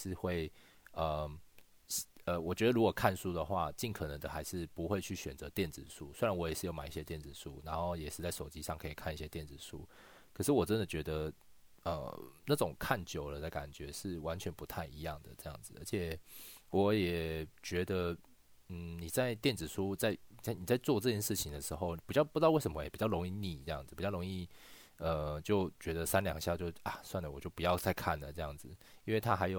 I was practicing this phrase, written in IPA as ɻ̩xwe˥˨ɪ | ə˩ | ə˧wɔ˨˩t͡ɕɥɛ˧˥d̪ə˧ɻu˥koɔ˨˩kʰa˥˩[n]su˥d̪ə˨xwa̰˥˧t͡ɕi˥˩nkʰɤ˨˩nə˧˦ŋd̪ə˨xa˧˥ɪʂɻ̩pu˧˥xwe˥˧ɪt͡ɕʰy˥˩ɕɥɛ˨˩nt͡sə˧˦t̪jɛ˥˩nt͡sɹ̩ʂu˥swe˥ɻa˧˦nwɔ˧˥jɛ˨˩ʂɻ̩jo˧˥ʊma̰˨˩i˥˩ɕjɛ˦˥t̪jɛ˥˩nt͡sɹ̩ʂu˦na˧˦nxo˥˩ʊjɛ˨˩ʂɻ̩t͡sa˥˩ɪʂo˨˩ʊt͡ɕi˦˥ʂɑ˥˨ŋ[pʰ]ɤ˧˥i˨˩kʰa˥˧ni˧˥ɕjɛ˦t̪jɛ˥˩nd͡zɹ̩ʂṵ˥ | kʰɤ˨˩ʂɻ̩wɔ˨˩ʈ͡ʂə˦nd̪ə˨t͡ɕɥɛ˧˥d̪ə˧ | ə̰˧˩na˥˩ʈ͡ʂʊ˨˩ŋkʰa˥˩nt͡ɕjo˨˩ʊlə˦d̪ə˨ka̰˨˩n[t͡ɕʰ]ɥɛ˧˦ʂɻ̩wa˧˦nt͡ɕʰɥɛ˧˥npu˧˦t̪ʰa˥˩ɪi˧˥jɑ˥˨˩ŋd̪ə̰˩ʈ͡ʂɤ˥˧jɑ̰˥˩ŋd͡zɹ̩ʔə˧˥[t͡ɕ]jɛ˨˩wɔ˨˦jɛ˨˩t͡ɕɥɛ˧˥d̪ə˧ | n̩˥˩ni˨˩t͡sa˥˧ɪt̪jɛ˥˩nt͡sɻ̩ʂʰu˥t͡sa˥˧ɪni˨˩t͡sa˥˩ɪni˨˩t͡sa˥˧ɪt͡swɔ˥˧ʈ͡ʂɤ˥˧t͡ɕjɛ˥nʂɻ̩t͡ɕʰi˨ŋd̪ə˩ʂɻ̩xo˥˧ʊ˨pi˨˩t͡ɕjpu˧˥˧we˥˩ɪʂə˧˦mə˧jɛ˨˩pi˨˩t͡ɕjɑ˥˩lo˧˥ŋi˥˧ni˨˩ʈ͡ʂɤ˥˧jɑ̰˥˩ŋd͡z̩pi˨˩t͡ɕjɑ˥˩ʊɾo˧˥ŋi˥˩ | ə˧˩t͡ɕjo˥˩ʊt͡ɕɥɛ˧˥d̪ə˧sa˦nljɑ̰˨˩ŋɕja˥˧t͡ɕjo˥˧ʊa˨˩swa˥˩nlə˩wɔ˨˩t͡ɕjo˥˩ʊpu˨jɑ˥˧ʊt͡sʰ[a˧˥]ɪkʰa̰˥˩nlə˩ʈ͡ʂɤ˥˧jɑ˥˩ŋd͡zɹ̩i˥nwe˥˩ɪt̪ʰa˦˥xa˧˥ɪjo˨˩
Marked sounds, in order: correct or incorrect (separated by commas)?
correct, incorrect, incorrect, incorrect, incorrect